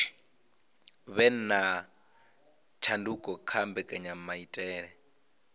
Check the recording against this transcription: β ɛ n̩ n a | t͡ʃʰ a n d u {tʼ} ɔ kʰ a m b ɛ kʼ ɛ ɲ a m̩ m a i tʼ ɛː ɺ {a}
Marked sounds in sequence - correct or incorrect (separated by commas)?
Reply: incorrect, incorrect